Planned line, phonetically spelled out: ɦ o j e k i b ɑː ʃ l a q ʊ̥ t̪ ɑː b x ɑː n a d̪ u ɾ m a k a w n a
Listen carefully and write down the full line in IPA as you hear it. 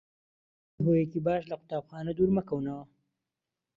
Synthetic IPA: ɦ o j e k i b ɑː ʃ l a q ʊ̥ t̪ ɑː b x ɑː n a d̪ u ɾ m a k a w n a

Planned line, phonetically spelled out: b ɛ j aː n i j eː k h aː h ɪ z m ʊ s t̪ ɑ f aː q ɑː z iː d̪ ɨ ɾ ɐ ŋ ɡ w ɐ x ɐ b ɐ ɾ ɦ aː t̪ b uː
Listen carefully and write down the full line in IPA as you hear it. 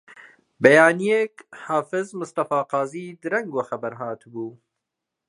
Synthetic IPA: b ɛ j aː n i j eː k h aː f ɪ z m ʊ s t̪ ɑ f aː q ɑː z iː d̪ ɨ ɾ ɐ ŋ ɡ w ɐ x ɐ b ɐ ɾ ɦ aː t̪ b uː

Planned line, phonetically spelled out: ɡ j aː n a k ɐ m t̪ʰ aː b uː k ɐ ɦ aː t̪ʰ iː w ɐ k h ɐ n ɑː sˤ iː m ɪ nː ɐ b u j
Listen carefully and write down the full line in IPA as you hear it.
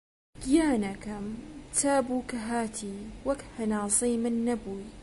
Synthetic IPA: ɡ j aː n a k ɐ m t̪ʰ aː b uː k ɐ ɦ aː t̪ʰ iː w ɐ k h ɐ n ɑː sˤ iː m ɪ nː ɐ b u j

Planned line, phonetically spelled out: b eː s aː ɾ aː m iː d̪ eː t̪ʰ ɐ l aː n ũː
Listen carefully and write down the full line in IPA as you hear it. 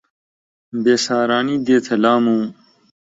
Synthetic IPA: b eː s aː ɾ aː n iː d̪ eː t̪ʰ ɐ l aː m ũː

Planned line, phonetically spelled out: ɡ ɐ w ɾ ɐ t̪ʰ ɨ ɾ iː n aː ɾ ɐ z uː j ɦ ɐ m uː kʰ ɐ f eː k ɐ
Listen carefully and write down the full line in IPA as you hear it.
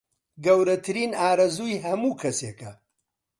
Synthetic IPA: ɡ ɐ w ɾ ɐ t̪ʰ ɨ ɾ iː n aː ɾ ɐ z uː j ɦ ɐ m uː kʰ ɐ s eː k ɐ

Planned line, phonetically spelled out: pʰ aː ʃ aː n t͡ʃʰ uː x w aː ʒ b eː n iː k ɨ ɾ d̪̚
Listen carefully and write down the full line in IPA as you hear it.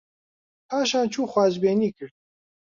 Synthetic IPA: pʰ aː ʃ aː n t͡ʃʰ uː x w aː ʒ b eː n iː k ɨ ɾ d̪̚

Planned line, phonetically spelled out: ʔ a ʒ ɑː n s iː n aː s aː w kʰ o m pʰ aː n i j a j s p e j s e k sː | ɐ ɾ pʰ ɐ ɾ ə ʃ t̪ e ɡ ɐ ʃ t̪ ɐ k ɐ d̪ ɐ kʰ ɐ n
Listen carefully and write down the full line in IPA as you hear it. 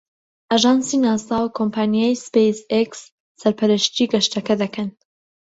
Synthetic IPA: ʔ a ʒ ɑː n s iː n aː s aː w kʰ o m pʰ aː n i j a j s p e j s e k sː | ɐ ɾ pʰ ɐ ɾ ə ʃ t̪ i ɡ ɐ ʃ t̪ ɐ k ɐ d̪ ɐ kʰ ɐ n

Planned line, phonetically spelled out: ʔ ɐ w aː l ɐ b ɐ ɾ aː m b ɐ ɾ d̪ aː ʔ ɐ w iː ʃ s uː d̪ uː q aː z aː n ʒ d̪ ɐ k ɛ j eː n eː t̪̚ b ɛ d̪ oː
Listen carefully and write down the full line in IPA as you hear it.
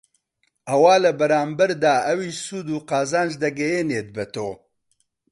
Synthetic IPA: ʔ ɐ w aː l ɐ b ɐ ɾ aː m b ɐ ɾ d̪ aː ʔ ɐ w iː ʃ s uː d̪ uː q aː z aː n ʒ d̪ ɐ ɡ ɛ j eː n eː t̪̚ b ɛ t̪ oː

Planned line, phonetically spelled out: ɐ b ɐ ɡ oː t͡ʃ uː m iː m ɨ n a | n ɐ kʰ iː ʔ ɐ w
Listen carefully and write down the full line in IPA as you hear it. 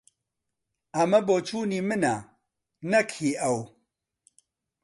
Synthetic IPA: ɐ m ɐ b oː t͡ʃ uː n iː m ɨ n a | n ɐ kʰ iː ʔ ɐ w

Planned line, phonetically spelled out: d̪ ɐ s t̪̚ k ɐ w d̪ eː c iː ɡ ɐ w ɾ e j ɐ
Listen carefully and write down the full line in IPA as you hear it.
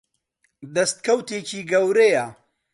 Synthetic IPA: d̪ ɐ s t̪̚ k ɐ w t̪ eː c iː ɡ ɐ w ɾ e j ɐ

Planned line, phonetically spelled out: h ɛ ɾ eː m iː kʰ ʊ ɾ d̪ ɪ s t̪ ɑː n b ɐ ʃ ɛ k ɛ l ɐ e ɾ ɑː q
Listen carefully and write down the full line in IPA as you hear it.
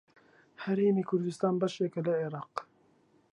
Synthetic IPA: h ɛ ɾ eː m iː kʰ ʊ ɾ d̪ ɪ s t̪ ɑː n b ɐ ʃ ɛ k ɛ l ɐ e ɾ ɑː q

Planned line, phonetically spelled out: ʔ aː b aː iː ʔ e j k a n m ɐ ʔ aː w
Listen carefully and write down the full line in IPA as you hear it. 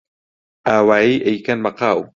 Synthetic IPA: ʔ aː w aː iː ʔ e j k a n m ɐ q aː w

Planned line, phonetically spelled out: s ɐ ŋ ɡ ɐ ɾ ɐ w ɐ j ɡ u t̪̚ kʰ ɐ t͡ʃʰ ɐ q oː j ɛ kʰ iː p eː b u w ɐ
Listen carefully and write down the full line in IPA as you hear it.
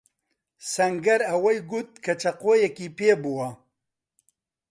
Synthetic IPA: s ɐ ŋ ɡ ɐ ɾ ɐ w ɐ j ɡ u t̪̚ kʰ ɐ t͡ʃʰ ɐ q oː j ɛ k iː p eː b u w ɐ

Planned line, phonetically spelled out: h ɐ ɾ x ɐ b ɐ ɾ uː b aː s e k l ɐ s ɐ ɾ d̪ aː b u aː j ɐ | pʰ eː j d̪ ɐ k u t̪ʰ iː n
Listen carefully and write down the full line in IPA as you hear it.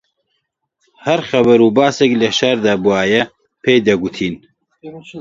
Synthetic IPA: h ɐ ɾ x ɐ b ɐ ɾ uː b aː s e k l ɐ ʃ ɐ ɾ d̪ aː b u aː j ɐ | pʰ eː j d̪ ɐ ɡ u t̪ʰ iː n

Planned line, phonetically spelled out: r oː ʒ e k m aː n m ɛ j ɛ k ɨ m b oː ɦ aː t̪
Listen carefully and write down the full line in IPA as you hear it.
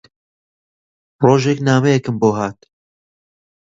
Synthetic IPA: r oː ʒ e k n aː m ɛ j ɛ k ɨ m b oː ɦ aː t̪

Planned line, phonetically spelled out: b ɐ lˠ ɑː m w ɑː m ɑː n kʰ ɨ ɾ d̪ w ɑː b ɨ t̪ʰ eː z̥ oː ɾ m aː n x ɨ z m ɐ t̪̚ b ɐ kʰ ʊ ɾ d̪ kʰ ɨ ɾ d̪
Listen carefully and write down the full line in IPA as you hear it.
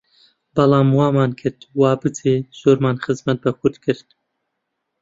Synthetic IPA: b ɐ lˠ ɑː m w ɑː m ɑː n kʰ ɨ ɾ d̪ w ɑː b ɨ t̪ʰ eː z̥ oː ɾ m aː n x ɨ z m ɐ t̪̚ b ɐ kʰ ʊ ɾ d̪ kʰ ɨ ɾ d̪

